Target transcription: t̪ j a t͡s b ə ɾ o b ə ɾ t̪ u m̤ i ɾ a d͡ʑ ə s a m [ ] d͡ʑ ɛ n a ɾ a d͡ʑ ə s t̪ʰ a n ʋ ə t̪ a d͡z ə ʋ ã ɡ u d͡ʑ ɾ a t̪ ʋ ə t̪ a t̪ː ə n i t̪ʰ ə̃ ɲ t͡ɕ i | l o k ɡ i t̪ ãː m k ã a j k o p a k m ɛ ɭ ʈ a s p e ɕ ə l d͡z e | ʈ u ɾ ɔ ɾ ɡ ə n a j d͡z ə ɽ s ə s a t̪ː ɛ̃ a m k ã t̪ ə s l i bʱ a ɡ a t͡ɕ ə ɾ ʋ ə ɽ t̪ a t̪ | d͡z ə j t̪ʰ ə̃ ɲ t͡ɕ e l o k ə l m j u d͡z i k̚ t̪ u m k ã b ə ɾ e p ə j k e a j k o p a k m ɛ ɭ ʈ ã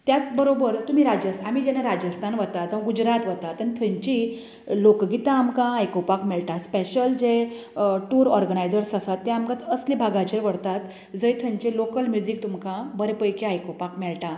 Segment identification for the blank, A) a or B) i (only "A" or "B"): B